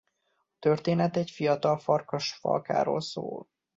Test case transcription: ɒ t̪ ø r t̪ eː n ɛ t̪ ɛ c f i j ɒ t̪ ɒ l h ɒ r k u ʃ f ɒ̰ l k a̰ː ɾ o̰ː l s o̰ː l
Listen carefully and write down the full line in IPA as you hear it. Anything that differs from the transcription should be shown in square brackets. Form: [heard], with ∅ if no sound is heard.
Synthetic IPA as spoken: ɒ t̪ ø r t̪ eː n ɛ t̪ ɛ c f i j ɒ t̪ ɒ l [f] ɒ r k [ɒ] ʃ f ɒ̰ l k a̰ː ɾ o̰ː l s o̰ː l